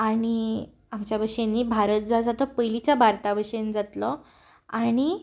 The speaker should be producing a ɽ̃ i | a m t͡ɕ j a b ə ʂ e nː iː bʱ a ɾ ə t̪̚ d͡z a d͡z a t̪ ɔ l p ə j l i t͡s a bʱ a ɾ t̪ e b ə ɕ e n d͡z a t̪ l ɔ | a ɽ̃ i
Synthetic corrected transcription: a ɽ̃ i | a m t͡ɕ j a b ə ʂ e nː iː bʱ a ɾ ə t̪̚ d͡z a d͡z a t̪ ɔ p ə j l i t͡s a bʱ a ɾ t̪ a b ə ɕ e n d͡z a t̪ l ɔ | a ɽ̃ i